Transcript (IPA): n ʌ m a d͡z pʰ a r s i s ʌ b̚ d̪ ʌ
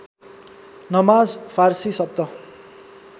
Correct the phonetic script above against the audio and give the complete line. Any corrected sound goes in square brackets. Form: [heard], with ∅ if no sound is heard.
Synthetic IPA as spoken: n ʌ m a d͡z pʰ a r s i s ʌ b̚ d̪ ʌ

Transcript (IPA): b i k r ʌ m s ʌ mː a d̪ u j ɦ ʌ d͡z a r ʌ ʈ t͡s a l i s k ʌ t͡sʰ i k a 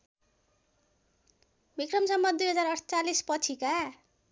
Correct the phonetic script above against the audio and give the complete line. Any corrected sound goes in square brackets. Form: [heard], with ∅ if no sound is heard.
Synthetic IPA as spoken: b i k r ʌ m s ʌ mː [ʌ] d̪ u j ɦ ʌ d͡z a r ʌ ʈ t͡s a l i s [p] ʌ t͡sʰ i k a

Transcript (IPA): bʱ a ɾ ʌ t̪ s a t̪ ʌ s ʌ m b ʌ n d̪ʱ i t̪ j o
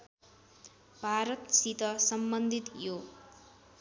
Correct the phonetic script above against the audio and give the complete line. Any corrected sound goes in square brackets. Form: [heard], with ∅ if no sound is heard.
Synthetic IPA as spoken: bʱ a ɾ ʌ t̪ s [i] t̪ ʌ s ʌ m b ʌ n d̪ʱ i t̪ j o

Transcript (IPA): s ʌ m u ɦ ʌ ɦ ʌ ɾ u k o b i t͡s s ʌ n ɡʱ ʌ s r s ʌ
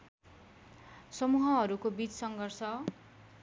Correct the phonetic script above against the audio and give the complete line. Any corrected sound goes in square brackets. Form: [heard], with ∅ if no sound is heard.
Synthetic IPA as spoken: s ʌ m u ɦ ʌ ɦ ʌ ɾ u k o b i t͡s s ʌ [ŋ] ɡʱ ʌ [∅] r s ʌ

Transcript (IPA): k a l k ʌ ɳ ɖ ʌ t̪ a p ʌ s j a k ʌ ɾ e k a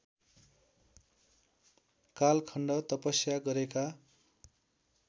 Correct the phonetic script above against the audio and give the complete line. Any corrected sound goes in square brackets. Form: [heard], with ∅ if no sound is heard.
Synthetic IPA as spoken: k a l [kʰ] ʌ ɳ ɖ ʌ t̪ [ʌ] p ʌ s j a [ɡ] ʌ ɾ e k a

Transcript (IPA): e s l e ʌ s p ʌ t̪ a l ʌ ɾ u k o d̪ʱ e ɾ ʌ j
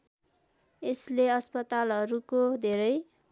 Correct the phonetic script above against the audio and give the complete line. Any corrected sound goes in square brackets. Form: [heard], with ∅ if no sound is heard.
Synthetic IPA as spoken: e s l e ʌ s p ʌ t̪ a l ʌ ɾ u k o d̪ʱ e ɾ ʌ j

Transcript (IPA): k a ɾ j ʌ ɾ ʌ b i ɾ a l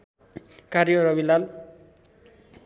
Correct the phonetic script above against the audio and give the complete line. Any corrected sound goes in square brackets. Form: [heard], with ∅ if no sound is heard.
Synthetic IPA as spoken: k a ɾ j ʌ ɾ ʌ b i [l] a l

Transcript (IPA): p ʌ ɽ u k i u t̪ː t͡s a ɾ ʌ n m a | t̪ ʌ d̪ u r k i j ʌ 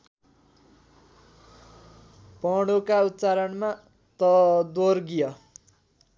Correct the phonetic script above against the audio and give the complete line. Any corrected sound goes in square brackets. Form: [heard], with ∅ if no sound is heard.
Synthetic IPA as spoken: p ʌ ɽ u k [a] u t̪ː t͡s a ɾ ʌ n m a | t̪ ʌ d̪ [o] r [ɡ] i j ʌ

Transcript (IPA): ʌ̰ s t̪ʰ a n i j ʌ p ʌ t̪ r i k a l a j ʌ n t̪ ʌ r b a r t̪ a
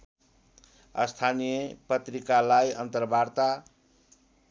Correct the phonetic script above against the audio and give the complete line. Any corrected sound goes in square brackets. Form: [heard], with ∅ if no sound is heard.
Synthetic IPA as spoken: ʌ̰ s t̪ʰ a n i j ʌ p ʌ t̪ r i k a l a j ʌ n t̪ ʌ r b a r t̪ a

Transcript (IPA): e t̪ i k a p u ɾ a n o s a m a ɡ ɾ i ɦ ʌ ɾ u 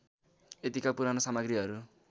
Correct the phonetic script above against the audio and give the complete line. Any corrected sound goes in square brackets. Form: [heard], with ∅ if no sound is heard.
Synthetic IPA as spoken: e t̪ i k a p u ɾ a n o s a m a ɡ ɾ i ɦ ʌ ɾ u

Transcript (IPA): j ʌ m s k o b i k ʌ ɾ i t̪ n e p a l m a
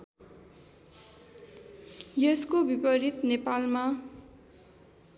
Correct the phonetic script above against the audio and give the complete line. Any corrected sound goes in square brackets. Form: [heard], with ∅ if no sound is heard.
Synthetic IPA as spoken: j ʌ [∅] s k o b i [p] ʌ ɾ i t̪ n e p a l m a

